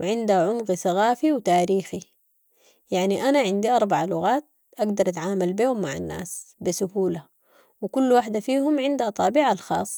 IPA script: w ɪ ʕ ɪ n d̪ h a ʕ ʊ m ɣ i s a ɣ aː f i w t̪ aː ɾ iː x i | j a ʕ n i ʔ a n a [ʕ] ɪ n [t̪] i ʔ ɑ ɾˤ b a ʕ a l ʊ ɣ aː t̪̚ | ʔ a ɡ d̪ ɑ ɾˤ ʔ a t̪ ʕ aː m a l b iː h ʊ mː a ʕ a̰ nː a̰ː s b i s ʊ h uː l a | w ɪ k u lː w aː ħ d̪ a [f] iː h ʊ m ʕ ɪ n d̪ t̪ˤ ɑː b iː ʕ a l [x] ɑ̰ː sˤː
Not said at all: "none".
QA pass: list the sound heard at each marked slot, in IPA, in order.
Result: ʕ, d̪, f, x

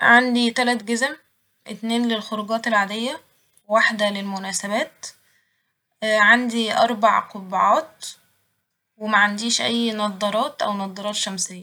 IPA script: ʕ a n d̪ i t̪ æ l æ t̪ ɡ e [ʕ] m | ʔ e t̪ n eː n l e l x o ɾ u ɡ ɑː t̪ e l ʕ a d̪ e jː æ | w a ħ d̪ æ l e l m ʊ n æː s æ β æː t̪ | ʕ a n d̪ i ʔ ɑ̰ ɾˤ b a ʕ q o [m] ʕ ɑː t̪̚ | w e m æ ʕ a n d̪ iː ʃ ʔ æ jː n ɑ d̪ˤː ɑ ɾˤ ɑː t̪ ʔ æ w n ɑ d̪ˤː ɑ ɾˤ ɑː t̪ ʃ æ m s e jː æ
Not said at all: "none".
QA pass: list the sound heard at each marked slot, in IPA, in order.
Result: z, b

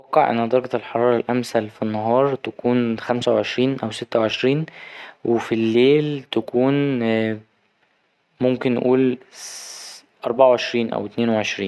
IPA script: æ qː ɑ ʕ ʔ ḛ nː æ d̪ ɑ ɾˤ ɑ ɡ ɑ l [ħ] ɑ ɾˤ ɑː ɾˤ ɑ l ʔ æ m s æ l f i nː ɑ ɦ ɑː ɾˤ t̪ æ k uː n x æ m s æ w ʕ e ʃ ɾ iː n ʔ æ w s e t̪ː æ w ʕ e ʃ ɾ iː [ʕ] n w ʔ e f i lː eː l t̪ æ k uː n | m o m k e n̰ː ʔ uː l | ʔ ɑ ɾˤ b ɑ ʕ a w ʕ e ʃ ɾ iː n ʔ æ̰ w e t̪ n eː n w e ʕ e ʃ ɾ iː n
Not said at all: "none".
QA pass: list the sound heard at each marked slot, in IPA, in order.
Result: ħ, none

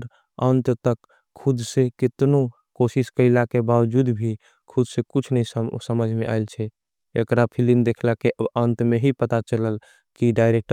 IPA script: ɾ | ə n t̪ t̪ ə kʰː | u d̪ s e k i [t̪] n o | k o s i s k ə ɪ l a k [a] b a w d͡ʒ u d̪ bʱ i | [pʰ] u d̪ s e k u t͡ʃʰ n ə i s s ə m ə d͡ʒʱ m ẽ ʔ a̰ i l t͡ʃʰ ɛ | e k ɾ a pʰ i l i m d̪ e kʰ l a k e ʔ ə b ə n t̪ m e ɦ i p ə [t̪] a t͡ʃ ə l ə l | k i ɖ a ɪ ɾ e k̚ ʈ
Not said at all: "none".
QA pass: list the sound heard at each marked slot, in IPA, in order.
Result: t̪, e, kʰ, t̪

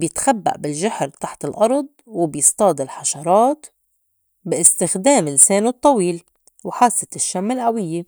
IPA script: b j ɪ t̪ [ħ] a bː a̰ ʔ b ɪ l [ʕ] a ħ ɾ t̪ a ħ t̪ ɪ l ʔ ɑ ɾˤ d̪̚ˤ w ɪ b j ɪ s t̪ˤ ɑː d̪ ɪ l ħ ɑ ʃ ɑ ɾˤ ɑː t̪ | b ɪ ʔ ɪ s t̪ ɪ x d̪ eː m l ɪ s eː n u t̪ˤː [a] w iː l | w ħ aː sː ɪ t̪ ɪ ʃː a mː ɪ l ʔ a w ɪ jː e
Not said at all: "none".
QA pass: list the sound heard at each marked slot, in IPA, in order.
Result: x, ʒ, ɑ

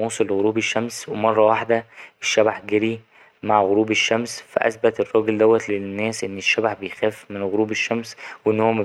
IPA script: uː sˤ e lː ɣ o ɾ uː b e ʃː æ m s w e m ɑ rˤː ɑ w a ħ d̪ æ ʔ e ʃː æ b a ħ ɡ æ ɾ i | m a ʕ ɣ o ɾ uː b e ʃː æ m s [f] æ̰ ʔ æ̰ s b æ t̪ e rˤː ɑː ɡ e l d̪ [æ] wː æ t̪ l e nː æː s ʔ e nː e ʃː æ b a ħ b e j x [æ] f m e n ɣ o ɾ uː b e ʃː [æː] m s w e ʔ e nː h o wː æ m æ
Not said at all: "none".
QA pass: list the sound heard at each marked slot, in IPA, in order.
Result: f, æ, æː, æ

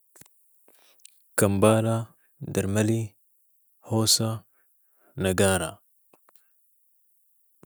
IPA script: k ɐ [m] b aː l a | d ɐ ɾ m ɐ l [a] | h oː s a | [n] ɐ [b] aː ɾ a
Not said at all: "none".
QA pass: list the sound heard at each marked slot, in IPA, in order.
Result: m, i, n, ɡ

